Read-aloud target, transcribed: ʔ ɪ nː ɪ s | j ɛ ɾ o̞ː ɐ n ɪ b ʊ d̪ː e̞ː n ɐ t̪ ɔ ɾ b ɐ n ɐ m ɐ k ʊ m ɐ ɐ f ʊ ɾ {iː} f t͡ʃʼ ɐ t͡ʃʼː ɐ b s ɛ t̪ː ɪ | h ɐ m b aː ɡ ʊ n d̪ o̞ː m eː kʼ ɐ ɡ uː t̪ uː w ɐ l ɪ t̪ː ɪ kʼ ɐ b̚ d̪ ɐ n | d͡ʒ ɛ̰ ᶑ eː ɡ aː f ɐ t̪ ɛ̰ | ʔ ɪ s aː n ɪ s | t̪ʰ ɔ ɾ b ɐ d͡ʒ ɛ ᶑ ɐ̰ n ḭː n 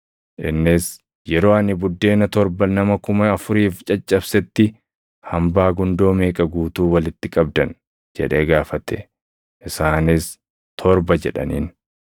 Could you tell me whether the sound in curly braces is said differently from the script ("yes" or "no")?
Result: no